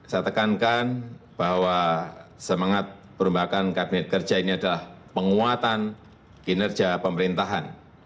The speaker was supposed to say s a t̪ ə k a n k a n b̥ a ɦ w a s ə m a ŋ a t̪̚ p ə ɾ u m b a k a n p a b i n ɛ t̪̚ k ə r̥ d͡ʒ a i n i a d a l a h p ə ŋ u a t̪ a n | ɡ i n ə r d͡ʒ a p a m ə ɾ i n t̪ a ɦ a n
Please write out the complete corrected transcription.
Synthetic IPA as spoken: s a t̪ ə k a n k a n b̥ a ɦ w a s ə m a ŋ a t̪̚ p ə ɾ u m b a k a n k a b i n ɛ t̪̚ k ə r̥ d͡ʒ a i n i a d a l a h p ə ŋ u a t̪ a n | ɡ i n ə r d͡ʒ a p ə m ə ɾ i n t̪ a ɦ a n

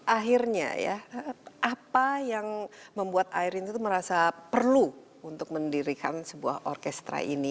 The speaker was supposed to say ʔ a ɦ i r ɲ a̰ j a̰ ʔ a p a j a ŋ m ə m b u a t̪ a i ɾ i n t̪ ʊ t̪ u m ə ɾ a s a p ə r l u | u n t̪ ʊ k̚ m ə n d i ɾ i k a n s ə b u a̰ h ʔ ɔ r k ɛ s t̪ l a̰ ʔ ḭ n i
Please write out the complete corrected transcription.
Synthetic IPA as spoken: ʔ a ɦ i r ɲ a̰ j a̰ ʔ a p a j a ŋ m ə m b u a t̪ a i ɾ i n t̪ u t̪ u m ə ɾ a s a p ə r l u | u n t̪ ʊ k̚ m ə n d i ɾ i k a n s ə b u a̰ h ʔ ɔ r k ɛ s t̪ ɾ a̰ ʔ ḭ n i

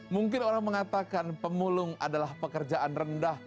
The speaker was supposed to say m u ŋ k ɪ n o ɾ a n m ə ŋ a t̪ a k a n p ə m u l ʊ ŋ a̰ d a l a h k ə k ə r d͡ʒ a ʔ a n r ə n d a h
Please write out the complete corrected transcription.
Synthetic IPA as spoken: m u ŋ k ɪ n o ɾ a ŋ m ə ŋ a t̪ a k a n p ə m u l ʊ ŋ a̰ d a l a h p ə k ə r d͡ʒ a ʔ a n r ə n d a h

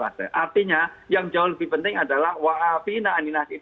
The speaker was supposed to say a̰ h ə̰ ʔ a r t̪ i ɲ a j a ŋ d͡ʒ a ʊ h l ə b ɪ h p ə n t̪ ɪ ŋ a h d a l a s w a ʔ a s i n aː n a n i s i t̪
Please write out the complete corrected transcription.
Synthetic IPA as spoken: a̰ s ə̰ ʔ a r t̪ i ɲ a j a ŋ d͡ʒ a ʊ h l ə b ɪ h p ə n t̪ ɪ ŋ a d a l a h w a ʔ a f i n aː n i n a s i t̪

